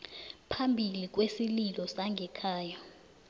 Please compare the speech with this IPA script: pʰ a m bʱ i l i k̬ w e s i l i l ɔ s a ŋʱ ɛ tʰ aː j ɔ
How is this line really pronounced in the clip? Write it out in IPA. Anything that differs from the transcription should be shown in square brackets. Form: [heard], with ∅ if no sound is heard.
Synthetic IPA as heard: pʰ a m bʱ i l i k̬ w e s i l i l ɔ s a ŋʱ ɛ [kʰ] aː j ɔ